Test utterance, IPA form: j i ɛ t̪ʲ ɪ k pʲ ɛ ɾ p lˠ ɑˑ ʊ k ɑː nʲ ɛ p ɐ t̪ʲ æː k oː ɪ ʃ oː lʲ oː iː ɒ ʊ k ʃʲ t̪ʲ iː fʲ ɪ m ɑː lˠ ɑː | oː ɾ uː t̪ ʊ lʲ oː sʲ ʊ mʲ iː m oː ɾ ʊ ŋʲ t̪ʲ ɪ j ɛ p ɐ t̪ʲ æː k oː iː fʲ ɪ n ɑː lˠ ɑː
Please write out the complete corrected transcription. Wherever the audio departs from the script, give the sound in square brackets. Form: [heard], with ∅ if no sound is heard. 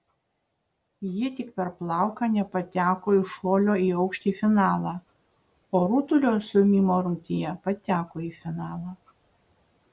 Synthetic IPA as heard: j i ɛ t̪ʲ ɪ k pʲ ɛ ɾ p lˠ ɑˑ ʊ k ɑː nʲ ɛ p ɐ t̪ʲ æː k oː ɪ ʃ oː lʲ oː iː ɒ ʊ k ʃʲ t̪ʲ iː fʲ ɪ [n] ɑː lˠ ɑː | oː ɾ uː t̪ ʊ lʲ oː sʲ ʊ mʲ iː m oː ɾ ʊ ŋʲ t̪ʲ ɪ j ɛ p ɐ t̪ʲ æː k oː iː fʲ ɪ n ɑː lˠ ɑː